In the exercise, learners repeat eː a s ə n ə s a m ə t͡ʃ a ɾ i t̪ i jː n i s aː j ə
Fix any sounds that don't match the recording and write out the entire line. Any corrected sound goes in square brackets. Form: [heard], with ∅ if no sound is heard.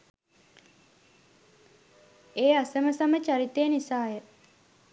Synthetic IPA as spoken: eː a s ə [m] ə s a m ə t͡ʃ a ɾ i t̪ [e] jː n i s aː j ə